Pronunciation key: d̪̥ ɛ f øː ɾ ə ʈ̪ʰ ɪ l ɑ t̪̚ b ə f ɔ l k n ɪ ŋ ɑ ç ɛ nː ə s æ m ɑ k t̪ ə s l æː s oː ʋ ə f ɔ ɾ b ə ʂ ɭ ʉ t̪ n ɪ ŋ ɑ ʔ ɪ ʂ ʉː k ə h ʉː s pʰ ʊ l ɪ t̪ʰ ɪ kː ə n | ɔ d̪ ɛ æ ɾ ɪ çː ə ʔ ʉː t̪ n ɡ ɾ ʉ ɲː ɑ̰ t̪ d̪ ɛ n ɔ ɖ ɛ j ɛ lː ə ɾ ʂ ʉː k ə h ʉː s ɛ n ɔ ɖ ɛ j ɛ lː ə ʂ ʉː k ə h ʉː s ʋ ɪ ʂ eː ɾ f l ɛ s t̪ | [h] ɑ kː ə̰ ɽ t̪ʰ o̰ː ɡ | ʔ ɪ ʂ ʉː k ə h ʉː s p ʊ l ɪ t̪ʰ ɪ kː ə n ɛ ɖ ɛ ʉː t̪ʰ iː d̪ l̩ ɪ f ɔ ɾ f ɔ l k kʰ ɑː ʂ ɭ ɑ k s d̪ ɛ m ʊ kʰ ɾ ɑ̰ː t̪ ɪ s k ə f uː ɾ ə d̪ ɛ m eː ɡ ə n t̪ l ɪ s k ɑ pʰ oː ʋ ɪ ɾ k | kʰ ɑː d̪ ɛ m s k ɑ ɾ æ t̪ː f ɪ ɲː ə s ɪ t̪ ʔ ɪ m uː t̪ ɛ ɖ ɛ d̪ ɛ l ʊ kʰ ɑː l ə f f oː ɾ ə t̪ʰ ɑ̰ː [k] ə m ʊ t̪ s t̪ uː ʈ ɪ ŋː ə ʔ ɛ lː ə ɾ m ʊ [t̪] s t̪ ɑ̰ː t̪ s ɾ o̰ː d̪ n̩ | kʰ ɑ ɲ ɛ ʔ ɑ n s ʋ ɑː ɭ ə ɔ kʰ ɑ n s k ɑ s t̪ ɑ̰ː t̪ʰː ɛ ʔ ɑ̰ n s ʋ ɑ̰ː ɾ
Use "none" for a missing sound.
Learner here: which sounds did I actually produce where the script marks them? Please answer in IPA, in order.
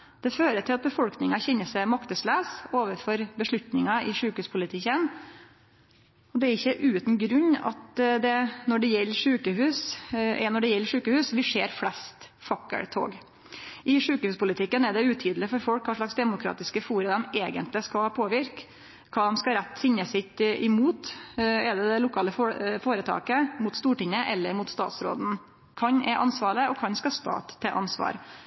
f, k, t̪

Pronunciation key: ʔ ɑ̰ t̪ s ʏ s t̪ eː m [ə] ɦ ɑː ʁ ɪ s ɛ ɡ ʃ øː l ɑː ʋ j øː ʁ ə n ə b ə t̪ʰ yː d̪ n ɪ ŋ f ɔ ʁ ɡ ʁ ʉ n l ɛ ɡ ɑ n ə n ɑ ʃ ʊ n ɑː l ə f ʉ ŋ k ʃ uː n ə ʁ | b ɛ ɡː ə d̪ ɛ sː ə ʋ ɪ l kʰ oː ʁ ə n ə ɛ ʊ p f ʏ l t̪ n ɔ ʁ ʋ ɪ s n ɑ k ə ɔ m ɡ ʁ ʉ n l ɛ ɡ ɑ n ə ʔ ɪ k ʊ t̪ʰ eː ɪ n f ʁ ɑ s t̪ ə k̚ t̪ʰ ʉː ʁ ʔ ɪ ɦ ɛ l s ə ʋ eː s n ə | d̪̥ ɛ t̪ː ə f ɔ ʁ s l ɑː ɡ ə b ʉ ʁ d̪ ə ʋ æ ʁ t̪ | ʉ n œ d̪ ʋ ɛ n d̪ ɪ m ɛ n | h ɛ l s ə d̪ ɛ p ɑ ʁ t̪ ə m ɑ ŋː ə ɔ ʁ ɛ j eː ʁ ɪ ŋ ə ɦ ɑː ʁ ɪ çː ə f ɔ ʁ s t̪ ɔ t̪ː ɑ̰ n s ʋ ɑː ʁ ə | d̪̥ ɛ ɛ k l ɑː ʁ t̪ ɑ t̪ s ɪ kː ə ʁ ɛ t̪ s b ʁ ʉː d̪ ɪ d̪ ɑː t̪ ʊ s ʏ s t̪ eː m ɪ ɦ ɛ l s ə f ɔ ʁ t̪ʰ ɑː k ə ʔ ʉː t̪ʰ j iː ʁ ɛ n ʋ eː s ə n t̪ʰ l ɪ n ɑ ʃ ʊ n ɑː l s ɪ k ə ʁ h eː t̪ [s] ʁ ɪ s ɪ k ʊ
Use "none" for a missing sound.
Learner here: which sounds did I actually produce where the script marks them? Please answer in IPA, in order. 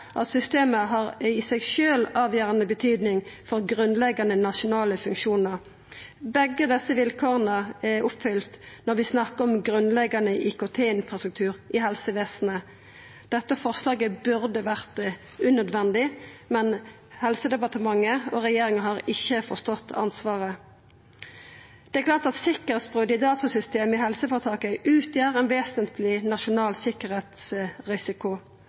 ə, s

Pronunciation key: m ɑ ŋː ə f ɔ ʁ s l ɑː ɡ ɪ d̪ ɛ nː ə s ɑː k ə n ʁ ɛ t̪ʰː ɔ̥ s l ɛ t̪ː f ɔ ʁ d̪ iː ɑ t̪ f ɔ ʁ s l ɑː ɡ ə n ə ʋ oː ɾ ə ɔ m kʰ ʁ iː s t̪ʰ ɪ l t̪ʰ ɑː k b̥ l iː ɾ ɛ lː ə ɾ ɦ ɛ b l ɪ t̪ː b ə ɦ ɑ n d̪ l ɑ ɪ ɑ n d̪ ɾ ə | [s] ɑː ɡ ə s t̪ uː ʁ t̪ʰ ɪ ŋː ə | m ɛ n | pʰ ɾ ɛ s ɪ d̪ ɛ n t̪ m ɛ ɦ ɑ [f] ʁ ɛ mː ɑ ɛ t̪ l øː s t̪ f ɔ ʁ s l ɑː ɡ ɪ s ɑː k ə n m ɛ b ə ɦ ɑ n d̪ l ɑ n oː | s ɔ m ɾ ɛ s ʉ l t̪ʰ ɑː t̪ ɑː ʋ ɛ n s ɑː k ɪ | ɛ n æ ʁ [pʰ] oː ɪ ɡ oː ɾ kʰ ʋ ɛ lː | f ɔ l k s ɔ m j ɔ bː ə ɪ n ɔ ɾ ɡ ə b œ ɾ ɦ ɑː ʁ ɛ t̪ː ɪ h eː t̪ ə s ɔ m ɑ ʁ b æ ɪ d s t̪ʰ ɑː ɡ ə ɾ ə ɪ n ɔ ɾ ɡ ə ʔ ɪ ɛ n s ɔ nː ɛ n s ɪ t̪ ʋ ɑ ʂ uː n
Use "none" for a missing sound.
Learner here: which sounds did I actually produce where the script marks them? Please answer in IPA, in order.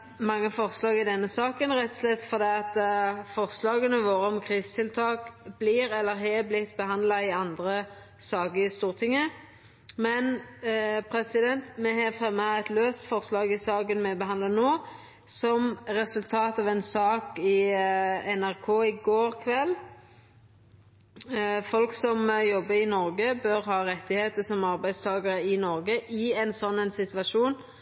s, f, kʰ

